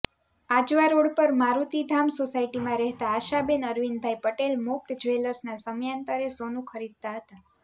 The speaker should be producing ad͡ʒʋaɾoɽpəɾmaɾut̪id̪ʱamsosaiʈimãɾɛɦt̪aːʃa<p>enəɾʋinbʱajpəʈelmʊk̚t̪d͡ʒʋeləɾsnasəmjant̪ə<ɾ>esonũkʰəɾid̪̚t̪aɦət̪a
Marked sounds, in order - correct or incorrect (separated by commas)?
incorrect, correct